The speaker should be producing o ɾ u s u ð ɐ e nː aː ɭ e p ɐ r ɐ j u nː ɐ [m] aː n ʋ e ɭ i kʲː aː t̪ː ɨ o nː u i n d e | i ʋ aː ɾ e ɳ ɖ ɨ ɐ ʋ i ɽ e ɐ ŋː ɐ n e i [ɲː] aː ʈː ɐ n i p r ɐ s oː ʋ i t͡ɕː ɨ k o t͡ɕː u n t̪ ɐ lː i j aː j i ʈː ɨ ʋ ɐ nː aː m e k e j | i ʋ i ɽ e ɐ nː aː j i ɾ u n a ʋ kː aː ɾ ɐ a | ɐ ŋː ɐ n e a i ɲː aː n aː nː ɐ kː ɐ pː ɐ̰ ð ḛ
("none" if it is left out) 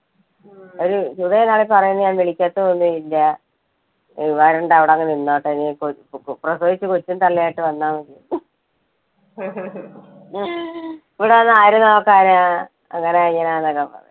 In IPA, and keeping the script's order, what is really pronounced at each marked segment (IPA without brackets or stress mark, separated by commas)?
ɲ, nː